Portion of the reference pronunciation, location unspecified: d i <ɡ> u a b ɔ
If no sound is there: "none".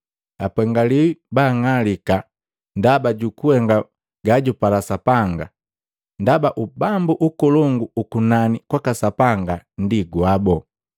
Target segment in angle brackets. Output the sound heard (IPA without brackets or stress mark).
ɡ